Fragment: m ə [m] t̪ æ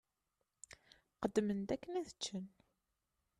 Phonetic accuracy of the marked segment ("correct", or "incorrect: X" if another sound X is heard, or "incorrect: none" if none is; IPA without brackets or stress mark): incorrect: n